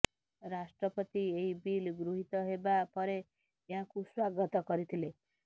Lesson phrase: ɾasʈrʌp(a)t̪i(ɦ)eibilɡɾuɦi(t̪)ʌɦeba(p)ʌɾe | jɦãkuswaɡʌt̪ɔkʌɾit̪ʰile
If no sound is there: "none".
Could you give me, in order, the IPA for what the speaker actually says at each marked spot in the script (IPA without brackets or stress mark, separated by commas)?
ʌ, none, t̪, p